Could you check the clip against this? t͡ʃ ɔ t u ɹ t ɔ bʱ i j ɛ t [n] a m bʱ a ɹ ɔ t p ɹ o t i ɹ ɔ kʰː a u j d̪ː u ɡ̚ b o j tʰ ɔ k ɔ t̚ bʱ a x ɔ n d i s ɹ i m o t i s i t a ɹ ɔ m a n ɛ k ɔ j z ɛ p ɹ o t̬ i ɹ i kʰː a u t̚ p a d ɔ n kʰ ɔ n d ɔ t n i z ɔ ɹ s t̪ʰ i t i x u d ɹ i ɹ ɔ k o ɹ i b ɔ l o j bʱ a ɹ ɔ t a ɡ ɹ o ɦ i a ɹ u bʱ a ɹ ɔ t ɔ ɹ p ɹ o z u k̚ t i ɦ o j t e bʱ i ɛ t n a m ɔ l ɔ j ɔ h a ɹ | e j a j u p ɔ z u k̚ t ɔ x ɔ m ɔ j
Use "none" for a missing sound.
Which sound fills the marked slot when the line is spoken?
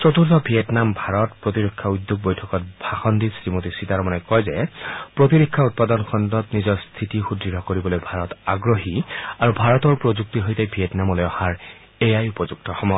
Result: n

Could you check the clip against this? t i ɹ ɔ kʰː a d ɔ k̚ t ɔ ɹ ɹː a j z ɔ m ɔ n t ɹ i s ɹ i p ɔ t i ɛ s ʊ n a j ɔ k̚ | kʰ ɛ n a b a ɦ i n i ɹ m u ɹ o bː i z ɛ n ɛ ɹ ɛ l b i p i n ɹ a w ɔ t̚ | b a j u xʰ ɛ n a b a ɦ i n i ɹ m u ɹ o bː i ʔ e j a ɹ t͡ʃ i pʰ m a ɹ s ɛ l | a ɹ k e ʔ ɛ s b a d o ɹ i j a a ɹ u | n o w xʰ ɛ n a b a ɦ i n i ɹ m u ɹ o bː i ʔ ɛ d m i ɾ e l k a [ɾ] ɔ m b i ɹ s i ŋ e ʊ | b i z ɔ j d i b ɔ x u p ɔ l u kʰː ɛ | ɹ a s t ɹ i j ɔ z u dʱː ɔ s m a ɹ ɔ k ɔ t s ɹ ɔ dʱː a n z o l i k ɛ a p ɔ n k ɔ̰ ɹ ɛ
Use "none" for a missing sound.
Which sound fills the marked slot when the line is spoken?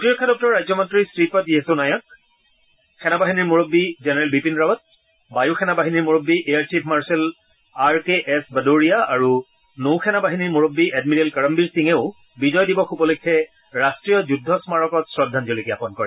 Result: ɹ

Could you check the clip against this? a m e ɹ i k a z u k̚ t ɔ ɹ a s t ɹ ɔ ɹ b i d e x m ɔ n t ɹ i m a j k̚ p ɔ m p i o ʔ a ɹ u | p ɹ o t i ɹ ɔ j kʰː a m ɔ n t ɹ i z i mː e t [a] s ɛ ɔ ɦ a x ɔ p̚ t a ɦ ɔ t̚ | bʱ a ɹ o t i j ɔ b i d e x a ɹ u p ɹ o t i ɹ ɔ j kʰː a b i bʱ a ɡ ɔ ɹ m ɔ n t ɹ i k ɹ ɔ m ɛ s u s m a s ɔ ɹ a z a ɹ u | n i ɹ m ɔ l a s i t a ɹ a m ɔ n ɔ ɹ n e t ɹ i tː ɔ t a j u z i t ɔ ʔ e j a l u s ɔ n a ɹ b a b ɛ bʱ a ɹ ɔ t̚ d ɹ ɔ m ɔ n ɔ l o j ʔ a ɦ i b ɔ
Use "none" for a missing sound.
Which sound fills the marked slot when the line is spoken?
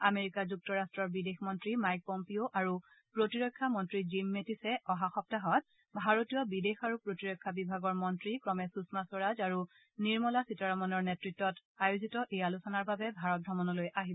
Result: i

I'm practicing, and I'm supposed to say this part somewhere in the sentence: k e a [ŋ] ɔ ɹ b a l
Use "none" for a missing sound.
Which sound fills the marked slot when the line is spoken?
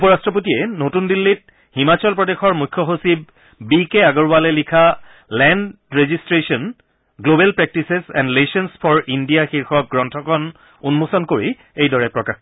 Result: ɡ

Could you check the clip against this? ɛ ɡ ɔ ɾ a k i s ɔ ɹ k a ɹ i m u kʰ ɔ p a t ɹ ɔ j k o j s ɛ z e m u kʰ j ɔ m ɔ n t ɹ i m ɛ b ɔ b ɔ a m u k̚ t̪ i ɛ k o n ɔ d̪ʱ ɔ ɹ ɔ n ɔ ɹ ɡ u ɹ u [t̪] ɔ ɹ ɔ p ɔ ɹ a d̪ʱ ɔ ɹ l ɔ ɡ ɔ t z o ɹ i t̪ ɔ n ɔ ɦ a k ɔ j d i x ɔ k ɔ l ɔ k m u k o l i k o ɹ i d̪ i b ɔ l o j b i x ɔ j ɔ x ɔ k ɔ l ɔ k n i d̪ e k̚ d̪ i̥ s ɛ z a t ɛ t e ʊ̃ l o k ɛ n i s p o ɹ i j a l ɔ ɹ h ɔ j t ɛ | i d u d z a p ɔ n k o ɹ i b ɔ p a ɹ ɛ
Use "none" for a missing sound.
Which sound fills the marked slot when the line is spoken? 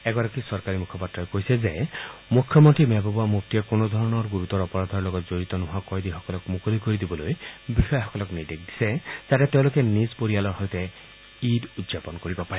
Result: t̪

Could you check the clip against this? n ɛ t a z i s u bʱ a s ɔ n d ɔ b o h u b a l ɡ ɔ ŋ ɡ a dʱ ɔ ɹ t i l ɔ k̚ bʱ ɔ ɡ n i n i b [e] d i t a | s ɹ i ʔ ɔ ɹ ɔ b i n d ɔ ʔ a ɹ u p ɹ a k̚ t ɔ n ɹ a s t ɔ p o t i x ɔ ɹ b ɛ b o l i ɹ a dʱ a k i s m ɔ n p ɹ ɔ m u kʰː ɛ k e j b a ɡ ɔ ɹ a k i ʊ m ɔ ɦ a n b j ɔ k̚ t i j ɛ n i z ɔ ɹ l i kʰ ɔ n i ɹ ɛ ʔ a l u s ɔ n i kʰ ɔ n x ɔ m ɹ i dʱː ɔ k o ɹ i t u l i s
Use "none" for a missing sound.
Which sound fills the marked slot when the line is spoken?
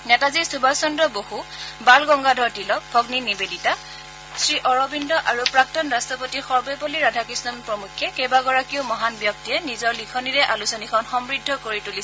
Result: e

